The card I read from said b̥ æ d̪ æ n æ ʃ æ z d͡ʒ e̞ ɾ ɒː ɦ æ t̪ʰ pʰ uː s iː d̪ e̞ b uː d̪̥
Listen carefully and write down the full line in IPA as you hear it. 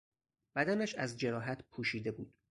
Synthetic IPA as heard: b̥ æ d̪ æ n æ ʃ æ z d͡ʒ e̞ ɾ ɒː ɦ æ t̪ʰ pʰ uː ʃ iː d̪ e̞ b uː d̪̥